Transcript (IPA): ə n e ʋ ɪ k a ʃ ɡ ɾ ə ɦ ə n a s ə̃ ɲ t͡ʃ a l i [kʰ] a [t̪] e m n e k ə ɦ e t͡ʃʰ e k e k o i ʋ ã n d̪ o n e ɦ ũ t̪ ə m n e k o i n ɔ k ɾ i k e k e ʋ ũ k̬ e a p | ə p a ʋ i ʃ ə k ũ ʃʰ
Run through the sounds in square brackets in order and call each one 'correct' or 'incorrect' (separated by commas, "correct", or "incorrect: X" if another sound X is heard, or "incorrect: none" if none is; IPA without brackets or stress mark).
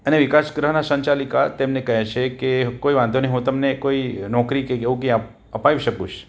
incorrect: k, correct